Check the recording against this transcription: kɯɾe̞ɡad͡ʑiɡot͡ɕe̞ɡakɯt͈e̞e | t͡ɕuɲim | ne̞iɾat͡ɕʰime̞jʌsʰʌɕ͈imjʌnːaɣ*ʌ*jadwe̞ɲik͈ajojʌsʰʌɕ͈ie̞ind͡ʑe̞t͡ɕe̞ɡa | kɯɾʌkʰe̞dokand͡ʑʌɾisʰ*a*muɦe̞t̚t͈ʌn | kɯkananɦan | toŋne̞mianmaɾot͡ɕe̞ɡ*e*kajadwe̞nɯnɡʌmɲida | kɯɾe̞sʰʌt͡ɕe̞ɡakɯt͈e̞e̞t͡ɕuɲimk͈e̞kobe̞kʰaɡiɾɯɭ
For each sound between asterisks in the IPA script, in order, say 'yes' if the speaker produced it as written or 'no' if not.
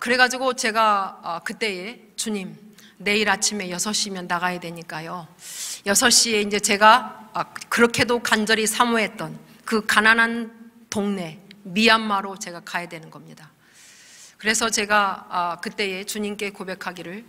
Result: no, yes, no

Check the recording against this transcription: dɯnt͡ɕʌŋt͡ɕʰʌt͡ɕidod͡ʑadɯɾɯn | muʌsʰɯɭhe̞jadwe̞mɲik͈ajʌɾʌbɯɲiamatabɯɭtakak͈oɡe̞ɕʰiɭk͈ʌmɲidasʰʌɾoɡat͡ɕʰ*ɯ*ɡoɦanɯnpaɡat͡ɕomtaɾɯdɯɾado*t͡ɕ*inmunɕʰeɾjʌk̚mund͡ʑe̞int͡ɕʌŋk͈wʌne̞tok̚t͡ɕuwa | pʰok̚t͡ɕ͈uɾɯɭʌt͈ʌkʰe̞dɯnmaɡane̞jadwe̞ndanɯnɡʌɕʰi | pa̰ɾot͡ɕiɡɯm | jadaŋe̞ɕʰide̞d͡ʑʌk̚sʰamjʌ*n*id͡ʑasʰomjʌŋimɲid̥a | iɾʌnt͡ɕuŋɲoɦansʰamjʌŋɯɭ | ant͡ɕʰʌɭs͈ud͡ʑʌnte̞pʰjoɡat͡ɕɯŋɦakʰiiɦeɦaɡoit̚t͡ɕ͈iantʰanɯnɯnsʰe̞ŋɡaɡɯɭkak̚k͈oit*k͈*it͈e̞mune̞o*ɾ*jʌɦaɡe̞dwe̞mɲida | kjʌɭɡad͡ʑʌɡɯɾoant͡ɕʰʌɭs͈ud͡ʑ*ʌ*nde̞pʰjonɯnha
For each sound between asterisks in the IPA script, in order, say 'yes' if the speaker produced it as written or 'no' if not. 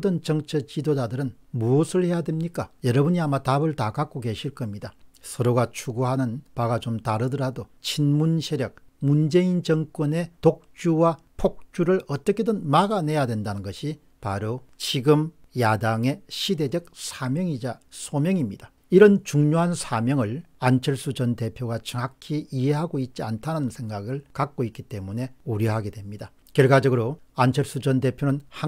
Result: no, no, no, yes, yes, yes

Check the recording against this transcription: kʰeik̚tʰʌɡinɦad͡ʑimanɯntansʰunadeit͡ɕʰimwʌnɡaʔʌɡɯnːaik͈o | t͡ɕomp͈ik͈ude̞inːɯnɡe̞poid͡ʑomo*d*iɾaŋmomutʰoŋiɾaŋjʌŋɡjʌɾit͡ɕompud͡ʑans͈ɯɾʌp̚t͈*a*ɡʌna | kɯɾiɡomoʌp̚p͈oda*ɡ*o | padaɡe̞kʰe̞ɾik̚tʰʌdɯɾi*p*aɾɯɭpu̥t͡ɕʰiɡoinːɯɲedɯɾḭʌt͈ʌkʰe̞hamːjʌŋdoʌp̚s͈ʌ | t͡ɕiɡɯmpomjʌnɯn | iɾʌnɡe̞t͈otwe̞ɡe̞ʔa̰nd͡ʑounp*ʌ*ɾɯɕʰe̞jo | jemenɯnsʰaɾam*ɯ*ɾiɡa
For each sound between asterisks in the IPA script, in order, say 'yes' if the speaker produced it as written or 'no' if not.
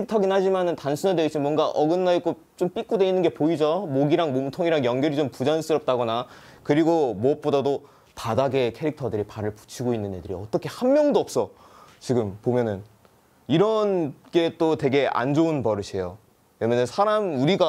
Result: no, yes, no, yes, yes, no

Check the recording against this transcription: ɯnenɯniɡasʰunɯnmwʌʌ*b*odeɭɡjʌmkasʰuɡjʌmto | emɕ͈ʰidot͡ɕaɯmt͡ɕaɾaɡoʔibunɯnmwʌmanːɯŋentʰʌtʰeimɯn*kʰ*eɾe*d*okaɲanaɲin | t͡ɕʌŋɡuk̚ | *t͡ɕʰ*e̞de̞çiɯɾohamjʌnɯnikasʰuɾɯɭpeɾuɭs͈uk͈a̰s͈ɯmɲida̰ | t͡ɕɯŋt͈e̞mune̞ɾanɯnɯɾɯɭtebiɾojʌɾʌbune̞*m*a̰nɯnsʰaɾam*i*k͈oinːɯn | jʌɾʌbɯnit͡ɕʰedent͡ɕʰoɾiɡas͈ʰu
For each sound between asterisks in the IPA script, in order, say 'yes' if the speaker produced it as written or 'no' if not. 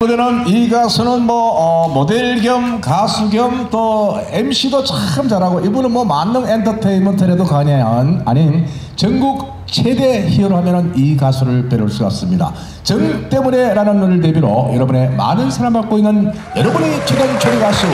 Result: no, no, yes, yes, yes, no

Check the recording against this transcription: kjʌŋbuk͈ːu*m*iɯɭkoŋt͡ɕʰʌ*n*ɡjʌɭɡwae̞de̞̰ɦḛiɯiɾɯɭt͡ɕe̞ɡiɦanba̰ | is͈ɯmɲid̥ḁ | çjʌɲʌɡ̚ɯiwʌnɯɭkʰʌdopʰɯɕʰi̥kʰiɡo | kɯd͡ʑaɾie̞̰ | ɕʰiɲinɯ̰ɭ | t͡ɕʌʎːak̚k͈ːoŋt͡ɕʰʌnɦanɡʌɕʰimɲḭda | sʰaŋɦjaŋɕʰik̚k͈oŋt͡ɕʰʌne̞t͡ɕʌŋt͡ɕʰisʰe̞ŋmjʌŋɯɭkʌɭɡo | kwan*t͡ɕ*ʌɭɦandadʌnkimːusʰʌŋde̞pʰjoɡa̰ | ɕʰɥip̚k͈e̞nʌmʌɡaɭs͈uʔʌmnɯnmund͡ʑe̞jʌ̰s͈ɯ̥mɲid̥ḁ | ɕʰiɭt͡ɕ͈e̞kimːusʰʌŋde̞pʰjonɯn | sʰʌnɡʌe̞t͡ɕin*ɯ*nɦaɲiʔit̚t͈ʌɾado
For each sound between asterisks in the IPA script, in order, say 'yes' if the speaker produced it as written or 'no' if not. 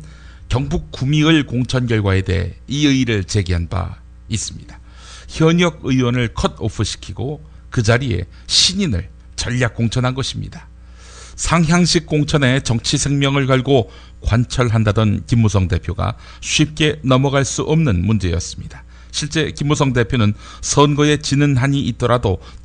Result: yes, yes, no, yes

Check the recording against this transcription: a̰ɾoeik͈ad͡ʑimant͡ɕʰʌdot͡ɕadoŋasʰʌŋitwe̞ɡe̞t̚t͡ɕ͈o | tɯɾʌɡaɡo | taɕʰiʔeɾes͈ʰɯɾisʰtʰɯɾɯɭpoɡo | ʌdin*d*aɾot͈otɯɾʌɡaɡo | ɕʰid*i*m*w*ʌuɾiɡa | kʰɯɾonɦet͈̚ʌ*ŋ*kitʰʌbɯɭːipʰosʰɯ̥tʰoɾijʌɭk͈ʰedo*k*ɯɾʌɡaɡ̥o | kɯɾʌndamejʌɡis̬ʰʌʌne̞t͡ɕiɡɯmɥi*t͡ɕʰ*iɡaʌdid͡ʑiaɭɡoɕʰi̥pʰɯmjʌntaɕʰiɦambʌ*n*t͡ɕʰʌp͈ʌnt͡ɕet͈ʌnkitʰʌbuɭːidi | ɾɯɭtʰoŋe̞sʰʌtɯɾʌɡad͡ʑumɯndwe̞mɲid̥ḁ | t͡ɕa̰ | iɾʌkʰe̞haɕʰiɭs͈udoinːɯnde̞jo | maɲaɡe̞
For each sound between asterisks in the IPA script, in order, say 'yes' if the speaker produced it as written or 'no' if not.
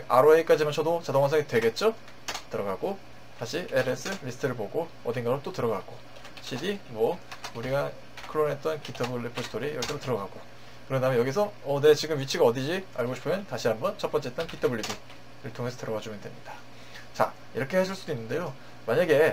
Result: no, yes, yes, no, no, yes, yes

